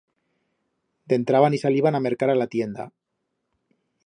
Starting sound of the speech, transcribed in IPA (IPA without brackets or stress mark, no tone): d̪